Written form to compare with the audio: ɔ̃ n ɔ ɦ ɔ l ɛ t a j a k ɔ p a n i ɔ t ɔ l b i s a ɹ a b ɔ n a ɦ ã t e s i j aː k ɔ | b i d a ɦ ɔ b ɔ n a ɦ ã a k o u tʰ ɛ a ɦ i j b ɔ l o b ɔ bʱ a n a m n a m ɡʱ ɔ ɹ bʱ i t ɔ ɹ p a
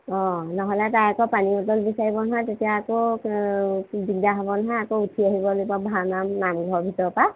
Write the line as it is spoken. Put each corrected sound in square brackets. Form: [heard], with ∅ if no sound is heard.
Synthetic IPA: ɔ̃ n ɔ ɦ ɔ l ɛ t a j a k ɔ p a n i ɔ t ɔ l b i s a ɹ [i] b ɔ n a ɦ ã t e [t] i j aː k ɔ | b i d a ɦ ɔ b ɔ n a ɦ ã a k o u tʰ [i] a ɦ i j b ɔ l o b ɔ bʱ a n a m n a m ɡʱ ɔ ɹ bʱ i t ɔ ɹ p a

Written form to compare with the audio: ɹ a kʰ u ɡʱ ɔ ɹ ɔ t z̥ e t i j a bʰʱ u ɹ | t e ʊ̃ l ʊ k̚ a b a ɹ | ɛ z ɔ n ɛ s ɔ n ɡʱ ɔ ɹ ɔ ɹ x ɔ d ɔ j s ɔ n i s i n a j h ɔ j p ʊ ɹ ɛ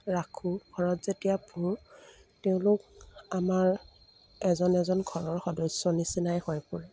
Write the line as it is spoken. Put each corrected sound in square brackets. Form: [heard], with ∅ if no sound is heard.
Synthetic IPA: ɹ a kʰ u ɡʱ ɔ ɹ ɔ t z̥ e t i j a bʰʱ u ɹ | t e ʊ̃ l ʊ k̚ a [m] a ɹ | ɛ z ɔ n ɛ [z] ɔ n ɡʱ ɔ ɹ ɔ ɹ x ɔ d ɔ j s ɔ n i s i n a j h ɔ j p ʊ ɹ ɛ

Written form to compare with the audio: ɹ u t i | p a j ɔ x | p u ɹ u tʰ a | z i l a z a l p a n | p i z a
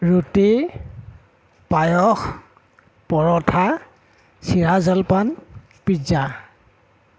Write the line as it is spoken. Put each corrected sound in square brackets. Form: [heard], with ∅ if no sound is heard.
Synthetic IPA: ɹ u t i | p a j ɔ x | p [ɔ] ɹ [ɔ] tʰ a | [s] i [ɹ] a z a l p a n | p i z a

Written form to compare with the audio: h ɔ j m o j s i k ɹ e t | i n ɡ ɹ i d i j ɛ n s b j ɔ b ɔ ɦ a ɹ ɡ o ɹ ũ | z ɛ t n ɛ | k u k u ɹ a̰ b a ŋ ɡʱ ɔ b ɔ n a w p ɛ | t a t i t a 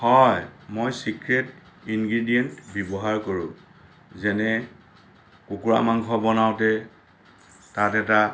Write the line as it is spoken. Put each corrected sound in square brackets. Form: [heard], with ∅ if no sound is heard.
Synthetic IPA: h ɔ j m o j s i k ɹ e t | i n ɡ ɹ i d i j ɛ n [t] b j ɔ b ɔ ɦ a ɹ [k] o ɹ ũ | z ɛ [∅] n ɛ | k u k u ɹ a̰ [m] a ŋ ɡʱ ɔ b ɔ n a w [t] ɛ | t a t [ɛ] t a

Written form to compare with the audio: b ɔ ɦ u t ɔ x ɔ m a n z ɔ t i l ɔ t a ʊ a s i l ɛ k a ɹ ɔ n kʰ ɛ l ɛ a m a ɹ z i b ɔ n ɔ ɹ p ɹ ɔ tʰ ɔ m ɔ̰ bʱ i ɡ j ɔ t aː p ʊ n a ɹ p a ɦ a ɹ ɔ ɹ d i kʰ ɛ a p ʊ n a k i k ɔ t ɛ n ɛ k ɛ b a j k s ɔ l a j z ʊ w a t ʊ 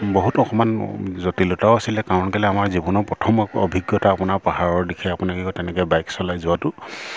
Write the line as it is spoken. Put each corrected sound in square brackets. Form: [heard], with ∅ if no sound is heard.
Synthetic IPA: b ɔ ɦ u t ɔ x ɔ m a n z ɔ t i l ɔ t a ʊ a s i l ɛ k a ɹ ɔ n [k] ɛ l ɛ a m a ɹ z i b ɔ n ɔ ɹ p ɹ ɔ tʰ ɔ m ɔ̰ bʱ i ɡ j ɔ t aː p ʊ n a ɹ p a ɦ a ɹ ɔ ɹ d i kʰ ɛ a p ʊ n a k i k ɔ t ɛ n ɛ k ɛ b a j k s ɔ l a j z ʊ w a t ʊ

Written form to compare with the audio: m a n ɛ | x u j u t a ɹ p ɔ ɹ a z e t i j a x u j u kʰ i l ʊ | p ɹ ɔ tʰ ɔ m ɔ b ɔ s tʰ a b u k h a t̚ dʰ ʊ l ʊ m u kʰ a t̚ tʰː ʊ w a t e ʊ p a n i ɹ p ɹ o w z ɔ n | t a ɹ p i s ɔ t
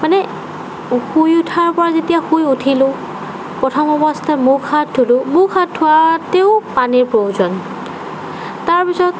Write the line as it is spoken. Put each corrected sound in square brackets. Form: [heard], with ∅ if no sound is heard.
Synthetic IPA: m a n ɛ | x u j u [tʰ] a ɹ p ɔ ɹ a z e t i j a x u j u [tʰ] i l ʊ | p ɹ ɔ tʰ ɔ m ɔ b ɔ s tʰ a [m] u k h a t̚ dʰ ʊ l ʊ m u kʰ a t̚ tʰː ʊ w a t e ʊ p a n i ɹ p ɹ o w z ɔ n | t a ɹ p i s ɔ t

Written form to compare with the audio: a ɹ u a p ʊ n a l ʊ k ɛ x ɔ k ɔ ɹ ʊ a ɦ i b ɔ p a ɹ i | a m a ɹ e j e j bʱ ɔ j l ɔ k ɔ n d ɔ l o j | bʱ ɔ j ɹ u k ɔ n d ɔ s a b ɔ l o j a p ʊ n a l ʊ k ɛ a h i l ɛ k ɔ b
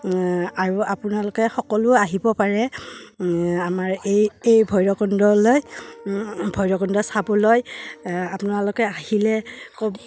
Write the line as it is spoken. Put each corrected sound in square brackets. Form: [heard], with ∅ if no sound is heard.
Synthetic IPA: a ɹ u a p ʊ n a l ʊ k ɛ x ɔ k ɔ [l] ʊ a ɦ i b ɔ p a ɹ [ɛ] | a m a ɹ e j e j bʱ ɔ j [ɹ] ɔ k ɔ n d ɔ l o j | bʱ ɔ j ɹ [ɔ] k ɔ n d ɔ s a b ɔ l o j a p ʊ n a l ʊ k ɛ a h i l ɛ k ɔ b

